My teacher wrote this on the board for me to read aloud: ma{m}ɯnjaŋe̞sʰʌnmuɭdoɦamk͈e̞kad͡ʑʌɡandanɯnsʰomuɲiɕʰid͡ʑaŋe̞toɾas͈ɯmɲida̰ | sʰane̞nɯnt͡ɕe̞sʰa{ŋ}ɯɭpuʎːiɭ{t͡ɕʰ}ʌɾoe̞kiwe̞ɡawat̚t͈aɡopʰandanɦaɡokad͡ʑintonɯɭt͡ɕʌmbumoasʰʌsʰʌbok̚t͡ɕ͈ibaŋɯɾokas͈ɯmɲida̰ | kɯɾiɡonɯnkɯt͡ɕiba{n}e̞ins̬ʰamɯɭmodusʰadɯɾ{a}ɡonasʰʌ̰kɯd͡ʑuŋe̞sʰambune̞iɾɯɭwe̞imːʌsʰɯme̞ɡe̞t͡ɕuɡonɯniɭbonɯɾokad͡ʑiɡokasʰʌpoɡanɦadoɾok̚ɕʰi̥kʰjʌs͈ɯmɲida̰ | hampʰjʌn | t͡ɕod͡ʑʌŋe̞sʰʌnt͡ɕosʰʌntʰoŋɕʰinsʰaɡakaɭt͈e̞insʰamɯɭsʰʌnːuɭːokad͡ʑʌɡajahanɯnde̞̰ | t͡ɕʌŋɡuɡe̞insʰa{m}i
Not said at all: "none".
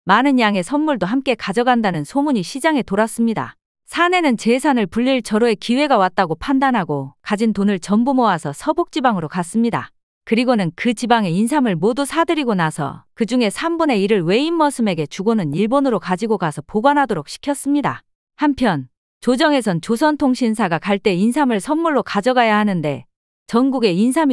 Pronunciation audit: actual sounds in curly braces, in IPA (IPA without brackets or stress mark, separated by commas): n, n, t͡ɕ, ŋ, i, m